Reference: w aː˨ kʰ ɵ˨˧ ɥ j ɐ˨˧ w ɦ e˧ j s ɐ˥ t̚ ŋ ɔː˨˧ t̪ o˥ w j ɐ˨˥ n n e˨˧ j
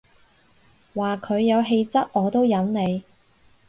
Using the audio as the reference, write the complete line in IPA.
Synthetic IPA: w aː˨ kʰ ɵ˨˧ ɥ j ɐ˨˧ w ɦ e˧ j t͡s ɐ˥ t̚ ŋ ɔː˨˧ t̪ o˥ w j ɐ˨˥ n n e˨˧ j